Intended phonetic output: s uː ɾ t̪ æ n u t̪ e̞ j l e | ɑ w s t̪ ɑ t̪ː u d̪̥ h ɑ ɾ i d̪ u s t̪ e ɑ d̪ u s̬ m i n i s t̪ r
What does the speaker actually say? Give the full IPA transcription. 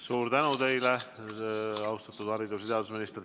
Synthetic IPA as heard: s uː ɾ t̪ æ n u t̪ e̞ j l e | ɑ w s t̪ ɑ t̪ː u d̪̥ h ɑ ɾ i d̪ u s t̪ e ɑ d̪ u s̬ m i n i s t̪ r